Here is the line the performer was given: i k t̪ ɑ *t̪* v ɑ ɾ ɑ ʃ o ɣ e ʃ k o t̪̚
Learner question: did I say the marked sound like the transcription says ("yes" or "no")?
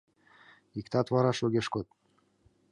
yes